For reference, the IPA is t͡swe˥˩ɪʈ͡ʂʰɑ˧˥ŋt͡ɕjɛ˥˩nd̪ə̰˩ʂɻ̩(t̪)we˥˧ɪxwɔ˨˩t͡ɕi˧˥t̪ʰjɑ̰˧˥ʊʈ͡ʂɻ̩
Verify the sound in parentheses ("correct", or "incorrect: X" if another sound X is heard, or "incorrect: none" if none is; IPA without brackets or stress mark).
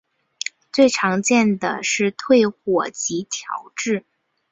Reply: incorrect: t̪ʰ